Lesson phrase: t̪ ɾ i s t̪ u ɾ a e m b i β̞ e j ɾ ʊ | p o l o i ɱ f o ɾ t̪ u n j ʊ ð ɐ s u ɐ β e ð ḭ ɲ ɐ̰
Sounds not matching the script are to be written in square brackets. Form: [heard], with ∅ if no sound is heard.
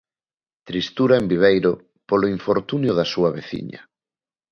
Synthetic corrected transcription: t̪ ɾ i s t̪ u ɾ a e m b i β̞ e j ɾ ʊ | p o l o i ɱ f o ɾ t̪ u n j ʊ ð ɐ s u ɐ β e [θ] ḭ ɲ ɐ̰